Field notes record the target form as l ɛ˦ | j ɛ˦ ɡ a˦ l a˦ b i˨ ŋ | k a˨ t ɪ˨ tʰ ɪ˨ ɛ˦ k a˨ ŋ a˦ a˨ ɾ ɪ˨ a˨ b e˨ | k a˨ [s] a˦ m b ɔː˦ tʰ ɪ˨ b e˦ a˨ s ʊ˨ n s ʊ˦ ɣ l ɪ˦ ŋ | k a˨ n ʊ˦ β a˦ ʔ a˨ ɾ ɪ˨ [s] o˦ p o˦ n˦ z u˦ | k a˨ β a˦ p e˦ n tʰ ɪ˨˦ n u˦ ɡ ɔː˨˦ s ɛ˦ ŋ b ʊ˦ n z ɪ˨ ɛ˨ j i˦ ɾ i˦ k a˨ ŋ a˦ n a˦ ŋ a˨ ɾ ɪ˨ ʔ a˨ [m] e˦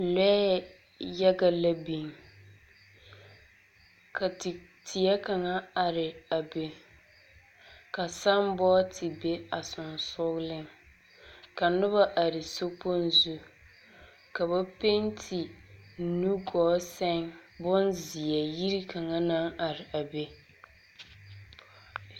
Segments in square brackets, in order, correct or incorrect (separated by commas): correct, correct, incorrect